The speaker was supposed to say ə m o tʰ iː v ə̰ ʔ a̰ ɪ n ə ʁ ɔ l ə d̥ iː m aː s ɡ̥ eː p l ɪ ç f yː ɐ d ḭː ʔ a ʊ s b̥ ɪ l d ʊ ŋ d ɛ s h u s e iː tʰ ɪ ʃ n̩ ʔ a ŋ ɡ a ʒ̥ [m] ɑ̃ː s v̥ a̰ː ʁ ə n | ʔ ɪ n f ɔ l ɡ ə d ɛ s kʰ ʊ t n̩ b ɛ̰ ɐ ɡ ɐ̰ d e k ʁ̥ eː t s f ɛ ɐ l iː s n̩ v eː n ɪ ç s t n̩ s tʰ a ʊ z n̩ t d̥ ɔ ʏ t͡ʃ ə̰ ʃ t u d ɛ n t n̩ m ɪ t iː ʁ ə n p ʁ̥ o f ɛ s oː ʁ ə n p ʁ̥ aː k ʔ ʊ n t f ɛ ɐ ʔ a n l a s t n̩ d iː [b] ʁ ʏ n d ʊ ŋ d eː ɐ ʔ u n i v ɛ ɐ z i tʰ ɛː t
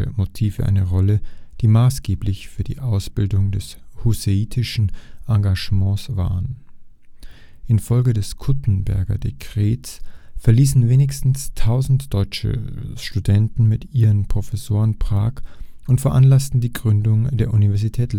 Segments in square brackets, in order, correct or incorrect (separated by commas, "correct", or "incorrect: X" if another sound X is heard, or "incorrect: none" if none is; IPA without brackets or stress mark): correct, incorrect: ɡ